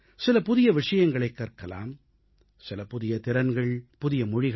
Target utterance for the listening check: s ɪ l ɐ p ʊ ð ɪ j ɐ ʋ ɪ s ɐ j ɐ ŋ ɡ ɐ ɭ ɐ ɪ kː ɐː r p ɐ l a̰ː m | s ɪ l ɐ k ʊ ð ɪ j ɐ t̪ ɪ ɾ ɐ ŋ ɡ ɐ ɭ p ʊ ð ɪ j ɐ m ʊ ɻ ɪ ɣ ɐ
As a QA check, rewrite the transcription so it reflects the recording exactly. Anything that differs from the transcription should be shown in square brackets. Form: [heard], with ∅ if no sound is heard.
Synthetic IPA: s ɪ l ɐ p ʊ ð ɪ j ɐ ʋ ɪ [ʂ] ɐ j ɐ ŋ ɡ ɐ ɭ ɐ ɪ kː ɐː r [k] ɐ l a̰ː m | s ɪ l ɐ [p] ʊ ð ɪ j ɐ t̪ ɪ ɾ ɐ [n] ɡ ɐ ɭ p ʊ ð ɪ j ɐ m ʊ ɻ ɪ ɣ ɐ